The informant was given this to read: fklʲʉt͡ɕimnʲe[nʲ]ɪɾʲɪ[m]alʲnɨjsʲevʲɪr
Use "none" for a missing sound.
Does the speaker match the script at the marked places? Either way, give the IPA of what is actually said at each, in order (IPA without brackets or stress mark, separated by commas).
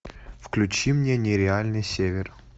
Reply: nʲ, none